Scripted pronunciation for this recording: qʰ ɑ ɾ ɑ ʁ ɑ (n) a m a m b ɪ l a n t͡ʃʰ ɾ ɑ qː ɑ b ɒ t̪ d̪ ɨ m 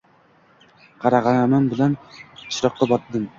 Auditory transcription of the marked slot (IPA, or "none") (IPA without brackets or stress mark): n